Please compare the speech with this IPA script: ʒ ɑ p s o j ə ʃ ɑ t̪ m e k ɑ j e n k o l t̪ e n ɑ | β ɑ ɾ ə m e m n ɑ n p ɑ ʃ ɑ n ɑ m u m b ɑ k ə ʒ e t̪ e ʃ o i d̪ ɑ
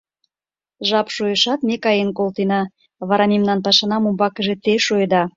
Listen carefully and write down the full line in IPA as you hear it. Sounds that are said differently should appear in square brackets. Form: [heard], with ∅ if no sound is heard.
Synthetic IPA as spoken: ʒ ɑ p [ʃ] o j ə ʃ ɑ t̪ m e k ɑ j e n k o l t̪ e n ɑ | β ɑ ɾ [ɑ] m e m n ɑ n p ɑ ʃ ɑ n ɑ m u m b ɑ k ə ʒ e t̪ e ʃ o [j] d̪ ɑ